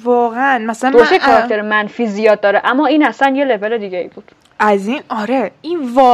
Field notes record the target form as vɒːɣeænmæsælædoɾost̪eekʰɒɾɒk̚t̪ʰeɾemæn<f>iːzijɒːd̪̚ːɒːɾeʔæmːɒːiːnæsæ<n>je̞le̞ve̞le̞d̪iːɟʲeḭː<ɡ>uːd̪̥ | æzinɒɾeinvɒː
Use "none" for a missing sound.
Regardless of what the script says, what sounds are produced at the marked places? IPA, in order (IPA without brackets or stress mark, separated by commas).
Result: f, n, b